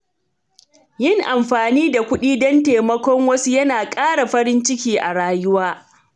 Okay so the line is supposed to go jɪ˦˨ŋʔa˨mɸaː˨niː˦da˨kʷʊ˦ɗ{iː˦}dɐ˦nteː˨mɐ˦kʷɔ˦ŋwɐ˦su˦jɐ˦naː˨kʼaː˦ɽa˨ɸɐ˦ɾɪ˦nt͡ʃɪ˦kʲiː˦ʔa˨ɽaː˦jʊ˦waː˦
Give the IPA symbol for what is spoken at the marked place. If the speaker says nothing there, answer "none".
iː˦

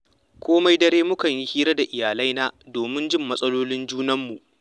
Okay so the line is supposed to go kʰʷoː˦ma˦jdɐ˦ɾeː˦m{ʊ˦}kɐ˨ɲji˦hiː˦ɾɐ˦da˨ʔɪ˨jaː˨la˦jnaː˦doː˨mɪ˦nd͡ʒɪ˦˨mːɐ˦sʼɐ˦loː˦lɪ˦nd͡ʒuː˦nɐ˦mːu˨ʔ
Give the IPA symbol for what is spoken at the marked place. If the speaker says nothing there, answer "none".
ʊ˦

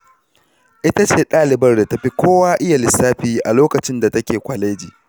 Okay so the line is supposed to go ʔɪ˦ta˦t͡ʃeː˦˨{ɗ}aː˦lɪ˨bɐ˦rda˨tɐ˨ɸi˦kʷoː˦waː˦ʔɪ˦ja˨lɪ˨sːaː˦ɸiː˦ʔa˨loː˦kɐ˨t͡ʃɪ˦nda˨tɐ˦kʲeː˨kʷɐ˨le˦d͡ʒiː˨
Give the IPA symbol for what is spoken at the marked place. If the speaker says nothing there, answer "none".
ɗ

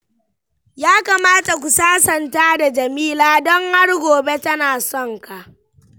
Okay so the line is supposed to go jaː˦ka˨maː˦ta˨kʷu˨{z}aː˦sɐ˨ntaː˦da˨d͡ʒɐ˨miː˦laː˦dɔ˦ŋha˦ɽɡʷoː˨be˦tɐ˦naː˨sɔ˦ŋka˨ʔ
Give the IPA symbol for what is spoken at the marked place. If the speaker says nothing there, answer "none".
s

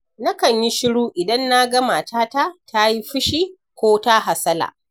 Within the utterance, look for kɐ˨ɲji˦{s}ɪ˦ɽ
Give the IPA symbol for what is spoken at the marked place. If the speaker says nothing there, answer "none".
ʃ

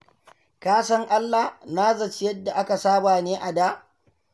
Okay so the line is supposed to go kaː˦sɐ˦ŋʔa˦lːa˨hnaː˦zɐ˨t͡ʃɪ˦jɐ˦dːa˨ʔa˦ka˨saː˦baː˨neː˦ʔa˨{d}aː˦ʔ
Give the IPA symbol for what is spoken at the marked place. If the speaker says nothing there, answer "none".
d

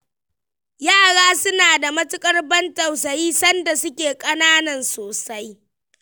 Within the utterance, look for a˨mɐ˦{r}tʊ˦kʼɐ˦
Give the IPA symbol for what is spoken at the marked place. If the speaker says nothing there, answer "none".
none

